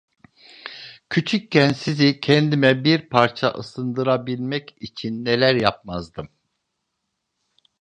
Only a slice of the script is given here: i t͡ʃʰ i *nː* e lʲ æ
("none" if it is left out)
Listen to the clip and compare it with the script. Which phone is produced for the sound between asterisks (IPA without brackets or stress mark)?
nː